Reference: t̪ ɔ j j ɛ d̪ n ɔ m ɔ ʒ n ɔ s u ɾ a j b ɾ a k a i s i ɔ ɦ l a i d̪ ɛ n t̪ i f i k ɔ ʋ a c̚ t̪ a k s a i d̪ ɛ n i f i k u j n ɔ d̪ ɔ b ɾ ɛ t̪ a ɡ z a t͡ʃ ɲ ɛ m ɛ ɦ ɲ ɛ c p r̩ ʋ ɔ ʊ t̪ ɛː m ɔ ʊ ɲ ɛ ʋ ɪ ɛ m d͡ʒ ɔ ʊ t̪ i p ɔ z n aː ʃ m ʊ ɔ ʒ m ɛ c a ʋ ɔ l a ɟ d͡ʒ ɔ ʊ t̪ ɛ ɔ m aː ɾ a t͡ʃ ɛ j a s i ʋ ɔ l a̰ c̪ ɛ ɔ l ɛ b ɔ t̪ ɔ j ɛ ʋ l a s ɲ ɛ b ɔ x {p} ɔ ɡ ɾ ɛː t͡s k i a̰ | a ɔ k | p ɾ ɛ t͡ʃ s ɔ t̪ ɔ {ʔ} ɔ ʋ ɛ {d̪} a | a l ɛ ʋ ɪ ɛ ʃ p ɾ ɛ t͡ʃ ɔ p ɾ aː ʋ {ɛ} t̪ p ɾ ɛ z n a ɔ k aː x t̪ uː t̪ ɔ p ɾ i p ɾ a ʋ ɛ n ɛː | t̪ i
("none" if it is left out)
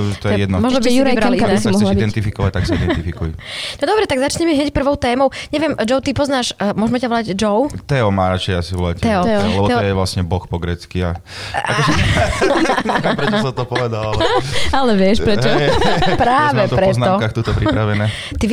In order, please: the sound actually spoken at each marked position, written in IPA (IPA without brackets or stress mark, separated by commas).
p, p, d̪, ɛ